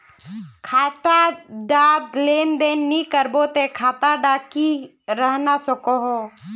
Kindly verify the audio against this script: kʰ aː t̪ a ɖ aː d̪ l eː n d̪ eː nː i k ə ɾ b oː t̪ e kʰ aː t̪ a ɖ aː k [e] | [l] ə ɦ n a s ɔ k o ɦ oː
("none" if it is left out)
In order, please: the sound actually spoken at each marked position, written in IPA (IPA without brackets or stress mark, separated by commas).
i, ɾ